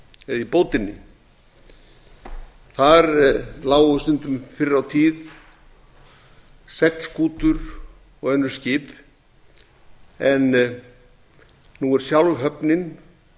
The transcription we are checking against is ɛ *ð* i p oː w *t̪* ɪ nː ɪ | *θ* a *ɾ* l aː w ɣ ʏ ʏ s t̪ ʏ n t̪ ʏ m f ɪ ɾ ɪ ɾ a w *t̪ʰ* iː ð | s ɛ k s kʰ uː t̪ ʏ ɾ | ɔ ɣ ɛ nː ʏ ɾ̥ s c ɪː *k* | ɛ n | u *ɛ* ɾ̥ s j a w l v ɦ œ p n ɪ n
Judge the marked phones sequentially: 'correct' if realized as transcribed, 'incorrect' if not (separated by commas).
correct, correct, correct, correct, correct, incorrect, correct